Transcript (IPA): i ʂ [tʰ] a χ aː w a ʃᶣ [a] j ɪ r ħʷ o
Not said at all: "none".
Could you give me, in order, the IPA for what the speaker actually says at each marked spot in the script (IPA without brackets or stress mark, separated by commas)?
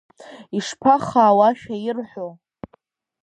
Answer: pʰ, a